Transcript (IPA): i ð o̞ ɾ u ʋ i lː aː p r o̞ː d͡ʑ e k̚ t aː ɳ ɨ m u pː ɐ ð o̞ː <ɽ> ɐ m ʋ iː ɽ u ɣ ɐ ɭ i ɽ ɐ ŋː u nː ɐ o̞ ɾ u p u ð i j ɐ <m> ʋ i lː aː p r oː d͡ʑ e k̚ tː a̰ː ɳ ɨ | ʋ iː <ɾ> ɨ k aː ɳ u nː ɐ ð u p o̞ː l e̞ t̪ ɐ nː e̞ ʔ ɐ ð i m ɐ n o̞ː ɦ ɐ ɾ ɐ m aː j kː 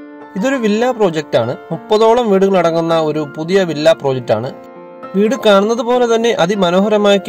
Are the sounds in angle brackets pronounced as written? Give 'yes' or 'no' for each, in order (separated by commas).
no, no, no